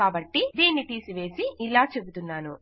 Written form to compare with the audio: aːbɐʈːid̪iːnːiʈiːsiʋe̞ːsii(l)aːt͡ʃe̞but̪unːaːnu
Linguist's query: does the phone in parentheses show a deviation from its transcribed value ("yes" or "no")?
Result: no